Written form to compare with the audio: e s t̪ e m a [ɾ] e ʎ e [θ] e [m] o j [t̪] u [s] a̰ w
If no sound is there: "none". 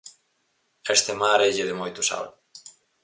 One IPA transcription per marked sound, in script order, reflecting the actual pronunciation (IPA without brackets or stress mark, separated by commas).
ɾ, ð, m, t̪, s